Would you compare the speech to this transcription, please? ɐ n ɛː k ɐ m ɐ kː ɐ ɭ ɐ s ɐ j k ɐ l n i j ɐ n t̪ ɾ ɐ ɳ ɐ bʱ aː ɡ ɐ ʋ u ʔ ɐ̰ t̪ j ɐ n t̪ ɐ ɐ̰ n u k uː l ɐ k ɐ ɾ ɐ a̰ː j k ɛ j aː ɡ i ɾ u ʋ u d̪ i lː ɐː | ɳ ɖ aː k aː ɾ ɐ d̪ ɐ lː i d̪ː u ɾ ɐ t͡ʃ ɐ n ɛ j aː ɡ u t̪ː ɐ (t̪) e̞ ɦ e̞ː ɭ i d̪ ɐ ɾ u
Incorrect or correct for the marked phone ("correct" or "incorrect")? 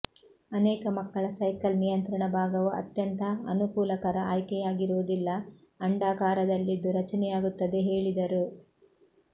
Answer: incorrect